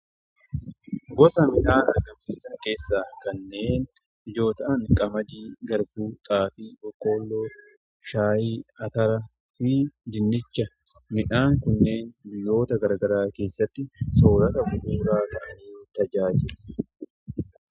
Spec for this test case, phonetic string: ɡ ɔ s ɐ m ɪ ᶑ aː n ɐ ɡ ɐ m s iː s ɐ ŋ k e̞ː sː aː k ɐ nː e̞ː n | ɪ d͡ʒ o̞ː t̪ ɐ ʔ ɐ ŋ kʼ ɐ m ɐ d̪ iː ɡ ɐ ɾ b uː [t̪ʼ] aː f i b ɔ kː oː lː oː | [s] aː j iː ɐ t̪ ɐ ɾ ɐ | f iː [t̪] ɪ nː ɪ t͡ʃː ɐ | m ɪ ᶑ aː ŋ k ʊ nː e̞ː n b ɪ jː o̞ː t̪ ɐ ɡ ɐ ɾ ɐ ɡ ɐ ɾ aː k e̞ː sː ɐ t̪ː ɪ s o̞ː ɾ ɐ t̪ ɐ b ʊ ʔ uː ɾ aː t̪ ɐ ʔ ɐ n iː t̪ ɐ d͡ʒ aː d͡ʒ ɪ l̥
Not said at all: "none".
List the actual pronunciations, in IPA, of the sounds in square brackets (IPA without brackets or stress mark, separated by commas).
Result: t̪ʼ, ʃ, d̪